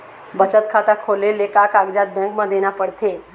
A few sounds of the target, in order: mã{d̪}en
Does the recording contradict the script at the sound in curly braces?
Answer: no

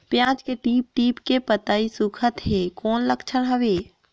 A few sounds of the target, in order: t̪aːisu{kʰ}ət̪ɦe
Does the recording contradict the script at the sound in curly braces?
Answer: no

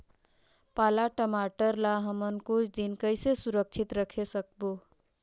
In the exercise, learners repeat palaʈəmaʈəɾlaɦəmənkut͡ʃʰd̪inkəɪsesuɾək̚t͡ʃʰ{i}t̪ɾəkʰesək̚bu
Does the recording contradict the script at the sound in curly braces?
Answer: no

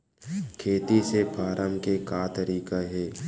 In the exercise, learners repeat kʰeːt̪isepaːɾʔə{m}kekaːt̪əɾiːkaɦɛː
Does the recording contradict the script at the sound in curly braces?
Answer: no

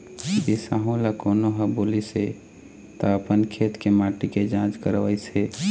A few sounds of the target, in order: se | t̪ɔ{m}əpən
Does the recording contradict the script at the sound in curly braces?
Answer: yes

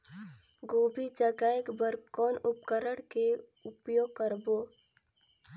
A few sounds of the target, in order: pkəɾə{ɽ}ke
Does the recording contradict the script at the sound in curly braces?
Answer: no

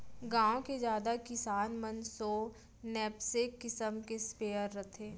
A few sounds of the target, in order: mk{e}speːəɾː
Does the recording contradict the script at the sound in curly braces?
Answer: no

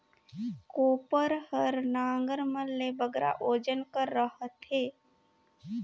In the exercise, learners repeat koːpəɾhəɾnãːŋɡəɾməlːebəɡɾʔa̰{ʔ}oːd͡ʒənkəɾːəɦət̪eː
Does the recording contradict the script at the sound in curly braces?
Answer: no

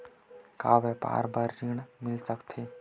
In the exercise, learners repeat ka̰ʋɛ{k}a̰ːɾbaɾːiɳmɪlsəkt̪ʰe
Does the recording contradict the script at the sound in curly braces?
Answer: yes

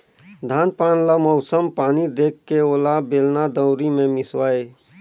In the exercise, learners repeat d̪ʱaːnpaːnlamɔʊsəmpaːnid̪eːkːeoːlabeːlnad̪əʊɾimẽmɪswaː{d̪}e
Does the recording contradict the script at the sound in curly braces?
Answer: yes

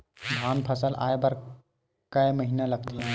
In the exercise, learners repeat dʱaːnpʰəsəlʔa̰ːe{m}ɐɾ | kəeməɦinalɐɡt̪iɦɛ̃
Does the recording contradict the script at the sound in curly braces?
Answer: yes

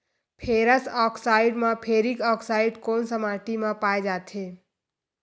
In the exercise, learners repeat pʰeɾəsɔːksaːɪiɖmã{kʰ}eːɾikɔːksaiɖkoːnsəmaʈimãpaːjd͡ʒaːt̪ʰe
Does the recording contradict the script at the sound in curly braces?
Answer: yes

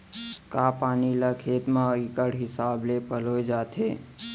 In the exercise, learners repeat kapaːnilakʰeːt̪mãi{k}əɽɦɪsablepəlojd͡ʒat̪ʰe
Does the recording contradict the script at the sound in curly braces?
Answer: no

